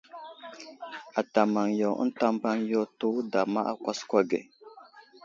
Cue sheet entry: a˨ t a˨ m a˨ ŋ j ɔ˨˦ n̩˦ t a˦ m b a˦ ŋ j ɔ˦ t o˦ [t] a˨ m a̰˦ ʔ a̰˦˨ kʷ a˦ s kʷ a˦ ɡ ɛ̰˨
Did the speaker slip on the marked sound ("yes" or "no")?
yes